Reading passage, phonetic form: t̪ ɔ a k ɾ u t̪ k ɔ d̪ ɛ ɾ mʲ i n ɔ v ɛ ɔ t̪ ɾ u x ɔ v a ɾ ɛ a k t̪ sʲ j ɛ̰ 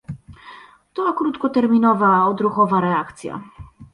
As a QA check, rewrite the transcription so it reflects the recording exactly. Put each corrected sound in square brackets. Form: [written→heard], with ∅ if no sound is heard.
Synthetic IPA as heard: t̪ ɔ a k ɾ u t̪ k ɔ [d̪→t̪] ɛ ɾ mʲ i n ɔ v [ɛ→a] ɔ [t̪→d̪] ɾ u x ɔ v a ɾ ɛ a k t̪ sʲ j [ɛ̰→a̰]